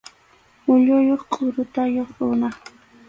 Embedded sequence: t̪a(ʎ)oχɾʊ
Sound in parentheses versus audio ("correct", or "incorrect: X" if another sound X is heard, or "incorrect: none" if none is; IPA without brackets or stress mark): incorrect: j